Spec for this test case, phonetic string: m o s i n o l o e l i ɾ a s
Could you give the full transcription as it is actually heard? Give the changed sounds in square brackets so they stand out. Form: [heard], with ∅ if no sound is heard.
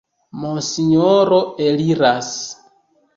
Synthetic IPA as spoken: m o s i [ɲ] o [ɾ] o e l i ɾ a s